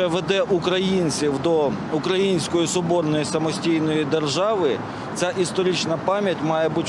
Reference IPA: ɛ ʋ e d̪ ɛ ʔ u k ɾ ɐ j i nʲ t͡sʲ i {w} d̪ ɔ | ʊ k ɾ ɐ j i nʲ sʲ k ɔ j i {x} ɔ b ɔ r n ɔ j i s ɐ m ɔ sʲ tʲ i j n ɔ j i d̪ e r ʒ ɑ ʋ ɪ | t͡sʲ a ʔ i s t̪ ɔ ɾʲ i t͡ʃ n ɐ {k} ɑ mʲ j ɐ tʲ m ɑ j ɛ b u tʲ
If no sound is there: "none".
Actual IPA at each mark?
w, s, p

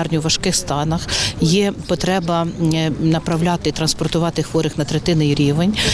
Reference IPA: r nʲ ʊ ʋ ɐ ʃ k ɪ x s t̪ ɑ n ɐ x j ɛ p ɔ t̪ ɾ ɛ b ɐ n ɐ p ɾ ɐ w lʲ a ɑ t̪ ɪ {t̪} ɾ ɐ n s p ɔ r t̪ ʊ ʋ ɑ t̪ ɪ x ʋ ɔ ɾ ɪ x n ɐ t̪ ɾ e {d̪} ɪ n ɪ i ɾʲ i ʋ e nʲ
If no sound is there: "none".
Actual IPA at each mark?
t̪, t̪

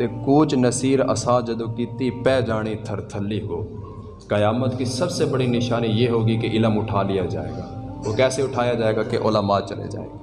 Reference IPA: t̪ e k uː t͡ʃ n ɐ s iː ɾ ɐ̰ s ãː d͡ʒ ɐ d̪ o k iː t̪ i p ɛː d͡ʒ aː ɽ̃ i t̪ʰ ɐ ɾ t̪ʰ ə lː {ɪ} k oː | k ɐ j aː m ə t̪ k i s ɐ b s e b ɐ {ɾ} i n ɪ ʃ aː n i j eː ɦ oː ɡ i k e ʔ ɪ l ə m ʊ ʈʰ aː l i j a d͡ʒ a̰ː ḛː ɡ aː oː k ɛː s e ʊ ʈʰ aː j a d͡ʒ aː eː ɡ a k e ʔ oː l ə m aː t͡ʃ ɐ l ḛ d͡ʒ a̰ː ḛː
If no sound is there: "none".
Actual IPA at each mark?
i, ɽ

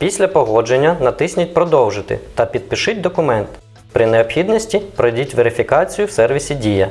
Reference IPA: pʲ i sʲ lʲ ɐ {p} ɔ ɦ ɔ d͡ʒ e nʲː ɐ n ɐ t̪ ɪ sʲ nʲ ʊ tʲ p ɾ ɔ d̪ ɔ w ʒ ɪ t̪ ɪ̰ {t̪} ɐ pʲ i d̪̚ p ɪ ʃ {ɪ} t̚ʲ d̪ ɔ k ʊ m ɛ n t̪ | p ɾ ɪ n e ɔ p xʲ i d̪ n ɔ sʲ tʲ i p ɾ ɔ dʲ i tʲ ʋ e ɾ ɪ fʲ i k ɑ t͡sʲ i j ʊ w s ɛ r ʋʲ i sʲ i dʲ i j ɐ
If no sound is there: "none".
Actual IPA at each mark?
p, t̪, ɪ

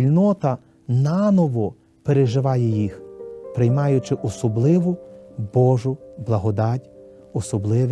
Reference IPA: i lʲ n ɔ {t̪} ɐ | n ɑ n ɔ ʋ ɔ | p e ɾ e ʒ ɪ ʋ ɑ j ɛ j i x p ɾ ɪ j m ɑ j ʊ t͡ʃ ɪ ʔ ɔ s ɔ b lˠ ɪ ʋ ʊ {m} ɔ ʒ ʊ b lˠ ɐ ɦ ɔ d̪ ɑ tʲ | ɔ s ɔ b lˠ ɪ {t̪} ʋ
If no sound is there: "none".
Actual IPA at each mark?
t̪, b, none

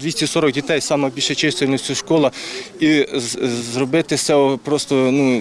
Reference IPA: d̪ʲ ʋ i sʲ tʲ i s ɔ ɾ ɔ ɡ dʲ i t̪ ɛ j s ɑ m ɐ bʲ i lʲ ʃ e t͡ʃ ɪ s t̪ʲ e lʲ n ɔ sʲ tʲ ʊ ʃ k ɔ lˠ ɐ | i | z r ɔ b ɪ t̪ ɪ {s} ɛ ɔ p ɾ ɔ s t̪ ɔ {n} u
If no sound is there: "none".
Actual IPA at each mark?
s, n

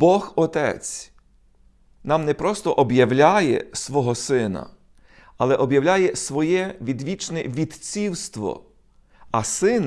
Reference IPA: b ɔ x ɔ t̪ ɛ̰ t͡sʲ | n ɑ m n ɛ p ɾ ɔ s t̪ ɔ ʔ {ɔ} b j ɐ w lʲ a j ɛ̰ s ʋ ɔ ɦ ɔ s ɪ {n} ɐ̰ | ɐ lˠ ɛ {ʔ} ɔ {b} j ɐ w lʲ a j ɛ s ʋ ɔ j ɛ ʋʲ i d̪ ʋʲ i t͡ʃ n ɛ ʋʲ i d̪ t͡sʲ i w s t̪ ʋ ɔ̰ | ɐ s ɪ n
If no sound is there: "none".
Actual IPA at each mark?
ɔ, n, ʔ, b

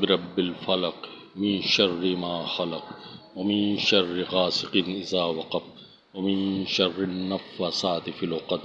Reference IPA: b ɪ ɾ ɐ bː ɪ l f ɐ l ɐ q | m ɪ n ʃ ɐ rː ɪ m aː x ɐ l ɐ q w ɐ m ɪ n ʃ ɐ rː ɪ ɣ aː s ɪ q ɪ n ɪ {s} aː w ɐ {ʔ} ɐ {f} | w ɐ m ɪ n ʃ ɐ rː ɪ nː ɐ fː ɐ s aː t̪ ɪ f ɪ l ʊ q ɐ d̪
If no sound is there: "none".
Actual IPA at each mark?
z, q, f

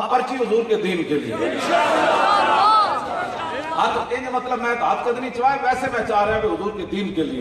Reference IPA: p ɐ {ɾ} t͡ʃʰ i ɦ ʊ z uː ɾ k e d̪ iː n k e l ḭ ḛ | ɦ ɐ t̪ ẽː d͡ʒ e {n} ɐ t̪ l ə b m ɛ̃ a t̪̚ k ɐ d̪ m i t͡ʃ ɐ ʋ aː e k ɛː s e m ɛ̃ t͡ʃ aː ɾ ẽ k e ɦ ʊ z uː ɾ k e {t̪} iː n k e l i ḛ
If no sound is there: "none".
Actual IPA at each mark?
ɾ, m, d̪

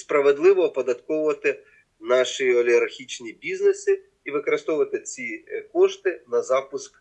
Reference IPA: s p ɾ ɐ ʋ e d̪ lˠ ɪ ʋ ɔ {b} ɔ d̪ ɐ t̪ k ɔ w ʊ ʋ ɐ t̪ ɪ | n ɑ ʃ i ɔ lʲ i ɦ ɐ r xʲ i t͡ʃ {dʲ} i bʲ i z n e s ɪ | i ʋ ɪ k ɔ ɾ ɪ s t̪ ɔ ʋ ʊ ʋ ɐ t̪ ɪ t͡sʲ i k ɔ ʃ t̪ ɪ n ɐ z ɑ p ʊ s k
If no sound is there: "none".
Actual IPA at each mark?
p, nʲ

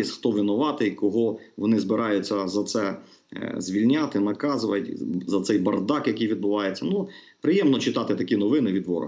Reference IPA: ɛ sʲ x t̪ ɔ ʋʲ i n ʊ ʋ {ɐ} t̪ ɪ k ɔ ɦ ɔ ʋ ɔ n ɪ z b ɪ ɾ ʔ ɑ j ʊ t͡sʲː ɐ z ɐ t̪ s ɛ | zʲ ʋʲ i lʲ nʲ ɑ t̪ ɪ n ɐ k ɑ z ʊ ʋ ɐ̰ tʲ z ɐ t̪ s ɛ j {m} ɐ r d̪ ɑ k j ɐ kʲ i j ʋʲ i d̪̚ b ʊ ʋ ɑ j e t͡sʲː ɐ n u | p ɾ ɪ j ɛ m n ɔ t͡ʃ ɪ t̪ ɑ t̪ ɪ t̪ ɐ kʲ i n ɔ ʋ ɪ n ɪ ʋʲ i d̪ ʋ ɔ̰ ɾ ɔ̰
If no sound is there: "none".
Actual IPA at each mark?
ɑ, b

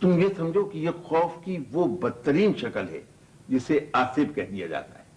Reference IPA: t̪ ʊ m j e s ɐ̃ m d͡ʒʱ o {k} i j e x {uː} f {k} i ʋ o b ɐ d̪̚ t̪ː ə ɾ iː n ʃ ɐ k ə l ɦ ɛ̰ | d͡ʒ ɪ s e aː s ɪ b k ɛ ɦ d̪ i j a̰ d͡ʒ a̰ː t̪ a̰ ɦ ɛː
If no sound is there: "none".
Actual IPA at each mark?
k, ɔː, k

